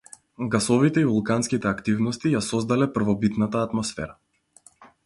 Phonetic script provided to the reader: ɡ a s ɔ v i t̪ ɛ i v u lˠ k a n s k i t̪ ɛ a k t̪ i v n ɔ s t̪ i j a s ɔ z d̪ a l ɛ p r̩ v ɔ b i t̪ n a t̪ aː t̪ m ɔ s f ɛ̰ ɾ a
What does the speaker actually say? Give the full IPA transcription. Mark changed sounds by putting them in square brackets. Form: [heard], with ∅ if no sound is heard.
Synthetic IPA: ɡ a s ɔ v i t̪ ɛ i v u lˠ k a n s k i t̪ ɛ a k t̪ i v n ɔ s t̪ i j a s ɔ z d̪ a l ɛ p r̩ v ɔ b i t̪ n a t̪ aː t̪ m ɔ s f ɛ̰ ɾ a